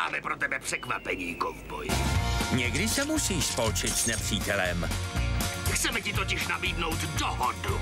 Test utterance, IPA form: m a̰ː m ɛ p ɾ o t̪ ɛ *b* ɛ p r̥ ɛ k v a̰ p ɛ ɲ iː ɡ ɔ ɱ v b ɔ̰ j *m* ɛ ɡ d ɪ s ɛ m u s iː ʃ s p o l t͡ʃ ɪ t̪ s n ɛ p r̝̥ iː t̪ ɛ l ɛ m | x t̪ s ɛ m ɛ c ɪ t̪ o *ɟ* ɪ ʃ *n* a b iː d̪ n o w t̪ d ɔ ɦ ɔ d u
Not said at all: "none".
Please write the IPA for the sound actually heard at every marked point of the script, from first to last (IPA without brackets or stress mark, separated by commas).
b, ɲ, c, n